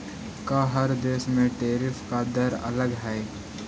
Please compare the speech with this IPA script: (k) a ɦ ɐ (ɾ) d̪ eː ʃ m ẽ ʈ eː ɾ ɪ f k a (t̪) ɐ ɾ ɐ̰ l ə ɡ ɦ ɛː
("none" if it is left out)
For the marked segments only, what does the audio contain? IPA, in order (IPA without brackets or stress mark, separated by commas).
k, ɾ, d̪